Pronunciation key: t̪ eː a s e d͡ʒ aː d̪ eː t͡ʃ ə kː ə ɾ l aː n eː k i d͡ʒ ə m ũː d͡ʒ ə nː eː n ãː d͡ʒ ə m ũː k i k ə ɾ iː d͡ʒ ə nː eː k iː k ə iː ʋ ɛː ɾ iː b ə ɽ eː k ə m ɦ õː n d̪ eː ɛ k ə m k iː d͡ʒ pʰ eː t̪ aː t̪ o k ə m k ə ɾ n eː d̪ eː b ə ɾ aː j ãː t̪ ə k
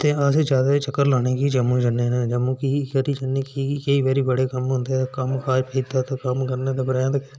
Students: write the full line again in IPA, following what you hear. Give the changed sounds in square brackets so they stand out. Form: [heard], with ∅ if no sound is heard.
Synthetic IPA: t̪ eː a s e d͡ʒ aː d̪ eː t͡ʃ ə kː ə ɾ l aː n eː k i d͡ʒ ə m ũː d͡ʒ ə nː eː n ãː d͡ʒ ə m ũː k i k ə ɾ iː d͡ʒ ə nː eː k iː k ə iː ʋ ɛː ɾ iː b ə ɽ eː k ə m ɦ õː n d̪ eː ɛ k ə m k [aː] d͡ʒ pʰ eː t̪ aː t̪ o k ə m k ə ɾ n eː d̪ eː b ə ɾ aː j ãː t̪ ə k